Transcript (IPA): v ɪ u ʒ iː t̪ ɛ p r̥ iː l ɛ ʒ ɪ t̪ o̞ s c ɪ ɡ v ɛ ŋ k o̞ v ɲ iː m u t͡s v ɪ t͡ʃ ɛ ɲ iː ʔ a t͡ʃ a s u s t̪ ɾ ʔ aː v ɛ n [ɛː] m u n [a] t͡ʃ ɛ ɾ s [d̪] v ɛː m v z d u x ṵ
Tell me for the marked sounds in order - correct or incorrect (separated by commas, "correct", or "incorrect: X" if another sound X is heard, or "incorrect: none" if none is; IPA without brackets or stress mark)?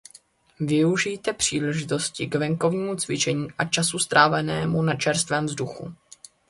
correct, correct, incorrect: t̪